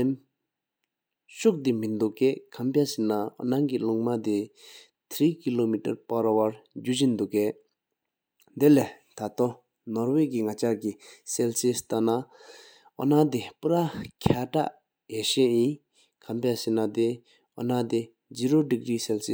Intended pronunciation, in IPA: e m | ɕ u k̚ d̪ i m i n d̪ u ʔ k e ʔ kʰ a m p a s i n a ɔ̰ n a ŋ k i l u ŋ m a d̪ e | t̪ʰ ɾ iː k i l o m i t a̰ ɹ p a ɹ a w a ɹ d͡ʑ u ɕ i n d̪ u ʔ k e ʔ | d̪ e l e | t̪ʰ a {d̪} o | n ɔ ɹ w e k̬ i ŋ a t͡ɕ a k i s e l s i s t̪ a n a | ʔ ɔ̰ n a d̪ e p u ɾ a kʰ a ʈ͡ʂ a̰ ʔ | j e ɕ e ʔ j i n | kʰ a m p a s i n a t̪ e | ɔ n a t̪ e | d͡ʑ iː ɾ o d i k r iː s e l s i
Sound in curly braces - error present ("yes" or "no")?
yes